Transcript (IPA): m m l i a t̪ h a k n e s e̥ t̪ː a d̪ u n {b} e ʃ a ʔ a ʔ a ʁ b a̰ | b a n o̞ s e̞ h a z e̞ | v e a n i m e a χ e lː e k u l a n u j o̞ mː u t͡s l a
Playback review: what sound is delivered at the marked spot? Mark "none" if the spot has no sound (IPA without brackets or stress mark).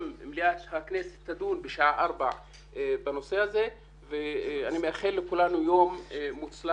b